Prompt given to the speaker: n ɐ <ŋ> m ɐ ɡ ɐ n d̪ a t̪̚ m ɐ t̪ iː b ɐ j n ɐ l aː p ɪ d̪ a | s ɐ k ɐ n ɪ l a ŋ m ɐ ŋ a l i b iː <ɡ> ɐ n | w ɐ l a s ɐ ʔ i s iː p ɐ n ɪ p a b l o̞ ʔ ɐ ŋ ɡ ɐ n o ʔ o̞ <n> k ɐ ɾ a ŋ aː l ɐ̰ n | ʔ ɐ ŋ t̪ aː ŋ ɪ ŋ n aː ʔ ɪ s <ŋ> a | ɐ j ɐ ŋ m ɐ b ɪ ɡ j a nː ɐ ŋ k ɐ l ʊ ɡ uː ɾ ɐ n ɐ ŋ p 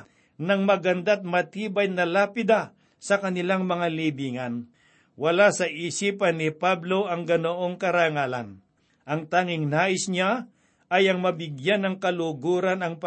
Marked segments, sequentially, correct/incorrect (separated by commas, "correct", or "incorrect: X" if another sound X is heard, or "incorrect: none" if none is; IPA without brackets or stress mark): correct, incorrect: ŋ, incorrect: ŋ, incorrect: ɲ